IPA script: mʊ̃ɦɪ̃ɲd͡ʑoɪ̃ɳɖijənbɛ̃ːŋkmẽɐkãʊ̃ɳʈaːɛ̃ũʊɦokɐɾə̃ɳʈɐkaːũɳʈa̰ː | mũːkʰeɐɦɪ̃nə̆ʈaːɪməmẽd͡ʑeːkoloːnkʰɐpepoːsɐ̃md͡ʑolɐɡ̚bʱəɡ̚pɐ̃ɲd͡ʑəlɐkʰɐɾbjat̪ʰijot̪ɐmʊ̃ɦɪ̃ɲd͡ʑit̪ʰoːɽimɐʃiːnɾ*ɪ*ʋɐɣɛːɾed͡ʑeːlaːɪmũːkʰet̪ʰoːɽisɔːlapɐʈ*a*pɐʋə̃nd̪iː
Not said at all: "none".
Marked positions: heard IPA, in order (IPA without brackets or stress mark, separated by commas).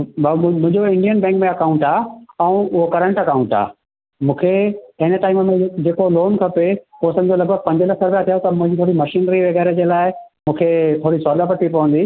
i, i